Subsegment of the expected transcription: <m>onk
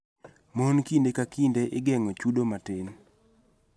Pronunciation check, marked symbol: correct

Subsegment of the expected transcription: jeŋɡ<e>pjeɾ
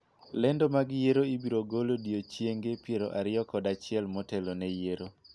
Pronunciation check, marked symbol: correct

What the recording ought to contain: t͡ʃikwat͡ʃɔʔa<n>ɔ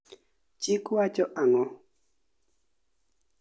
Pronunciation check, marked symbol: incorrect: ŋ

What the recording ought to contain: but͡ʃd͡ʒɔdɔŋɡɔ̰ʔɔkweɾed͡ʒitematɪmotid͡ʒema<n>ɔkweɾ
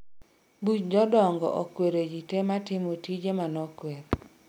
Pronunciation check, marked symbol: correct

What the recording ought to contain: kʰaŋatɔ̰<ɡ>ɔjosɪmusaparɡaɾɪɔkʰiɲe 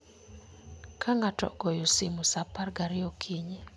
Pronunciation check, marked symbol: correct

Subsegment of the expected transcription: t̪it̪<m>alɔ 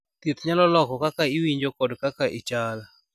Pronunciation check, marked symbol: incorrect: ɲ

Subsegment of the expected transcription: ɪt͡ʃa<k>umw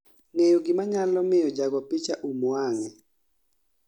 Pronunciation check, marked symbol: incorrect: ʔ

